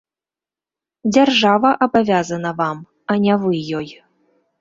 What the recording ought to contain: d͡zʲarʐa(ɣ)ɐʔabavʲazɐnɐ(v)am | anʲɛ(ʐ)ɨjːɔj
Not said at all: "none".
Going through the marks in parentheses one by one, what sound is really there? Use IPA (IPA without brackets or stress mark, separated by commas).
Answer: v, v, v